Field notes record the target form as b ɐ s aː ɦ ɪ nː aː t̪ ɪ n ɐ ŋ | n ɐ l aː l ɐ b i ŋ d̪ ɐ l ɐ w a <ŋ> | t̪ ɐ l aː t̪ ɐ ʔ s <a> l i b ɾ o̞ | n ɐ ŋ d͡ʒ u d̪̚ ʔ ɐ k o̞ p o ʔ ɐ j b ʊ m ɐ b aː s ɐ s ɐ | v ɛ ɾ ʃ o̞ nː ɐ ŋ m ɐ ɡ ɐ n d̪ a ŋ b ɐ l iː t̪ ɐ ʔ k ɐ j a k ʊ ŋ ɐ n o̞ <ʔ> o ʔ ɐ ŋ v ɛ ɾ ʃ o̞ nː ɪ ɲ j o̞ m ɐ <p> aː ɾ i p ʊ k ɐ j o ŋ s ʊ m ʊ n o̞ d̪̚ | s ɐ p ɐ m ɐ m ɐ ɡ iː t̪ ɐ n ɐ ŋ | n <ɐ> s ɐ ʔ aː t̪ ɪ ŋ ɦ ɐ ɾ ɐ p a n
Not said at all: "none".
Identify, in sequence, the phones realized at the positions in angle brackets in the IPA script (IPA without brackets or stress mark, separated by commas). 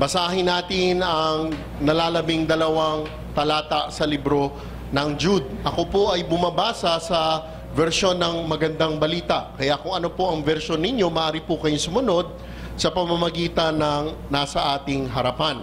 ŋ, ɐ, p, ʔ, a